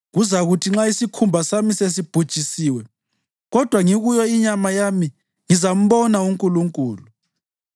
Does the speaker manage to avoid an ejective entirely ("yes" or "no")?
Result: no